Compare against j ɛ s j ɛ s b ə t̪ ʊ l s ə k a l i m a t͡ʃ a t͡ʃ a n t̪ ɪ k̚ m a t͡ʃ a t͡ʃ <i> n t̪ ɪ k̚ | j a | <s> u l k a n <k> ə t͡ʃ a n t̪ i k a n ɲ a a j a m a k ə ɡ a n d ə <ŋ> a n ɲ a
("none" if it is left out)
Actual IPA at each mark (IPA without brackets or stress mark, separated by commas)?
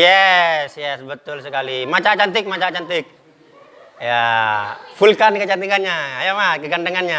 a, f, k, ŋ